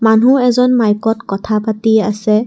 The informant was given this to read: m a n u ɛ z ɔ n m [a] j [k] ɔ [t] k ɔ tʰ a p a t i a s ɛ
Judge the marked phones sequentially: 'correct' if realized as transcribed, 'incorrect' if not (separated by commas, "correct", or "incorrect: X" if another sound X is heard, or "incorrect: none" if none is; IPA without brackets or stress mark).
correct, correct, correct